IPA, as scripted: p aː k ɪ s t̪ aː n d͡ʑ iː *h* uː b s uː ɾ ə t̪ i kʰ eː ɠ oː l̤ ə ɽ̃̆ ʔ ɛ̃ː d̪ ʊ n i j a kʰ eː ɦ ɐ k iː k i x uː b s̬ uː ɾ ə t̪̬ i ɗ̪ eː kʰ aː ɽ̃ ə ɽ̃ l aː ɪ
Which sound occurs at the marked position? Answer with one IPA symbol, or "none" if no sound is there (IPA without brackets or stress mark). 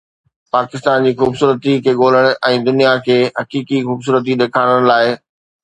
x